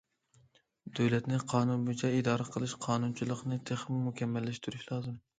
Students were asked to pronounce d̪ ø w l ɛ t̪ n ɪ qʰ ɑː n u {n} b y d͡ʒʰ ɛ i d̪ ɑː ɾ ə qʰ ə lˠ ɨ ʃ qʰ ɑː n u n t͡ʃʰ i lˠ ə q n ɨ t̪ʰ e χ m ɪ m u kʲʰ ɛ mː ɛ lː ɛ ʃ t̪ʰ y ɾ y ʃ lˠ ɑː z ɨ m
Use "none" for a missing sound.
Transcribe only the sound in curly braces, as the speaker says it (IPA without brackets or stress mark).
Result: n